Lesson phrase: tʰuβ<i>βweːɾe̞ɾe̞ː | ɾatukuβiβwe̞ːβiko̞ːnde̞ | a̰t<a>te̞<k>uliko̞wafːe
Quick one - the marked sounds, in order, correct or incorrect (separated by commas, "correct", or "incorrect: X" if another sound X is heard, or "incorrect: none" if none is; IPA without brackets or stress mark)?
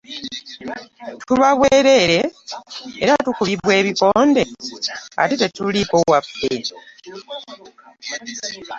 incorrect: a, incorrect: i, incorrect: t